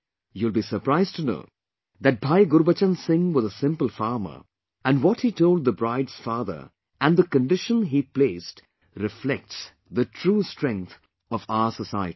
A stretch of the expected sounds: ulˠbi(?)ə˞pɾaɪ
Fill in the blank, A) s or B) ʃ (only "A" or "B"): A